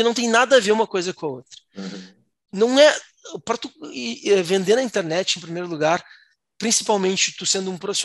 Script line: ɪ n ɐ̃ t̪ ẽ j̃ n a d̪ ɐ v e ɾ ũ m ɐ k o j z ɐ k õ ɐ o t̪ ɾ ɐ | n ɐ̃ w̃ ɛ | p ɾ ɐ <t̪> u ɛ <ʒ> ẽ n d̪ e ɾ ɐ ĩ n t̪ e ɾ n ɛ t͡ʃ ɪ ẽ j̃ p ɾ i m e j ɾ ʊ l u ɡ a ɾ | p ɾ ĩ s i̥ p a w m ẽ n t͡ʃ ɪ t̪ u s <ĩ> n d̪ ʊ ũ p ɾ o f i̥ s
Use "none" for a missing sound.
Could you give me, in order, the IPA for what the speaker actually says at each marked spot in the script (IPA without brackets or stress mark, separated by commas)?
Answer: t̪, v, ẽ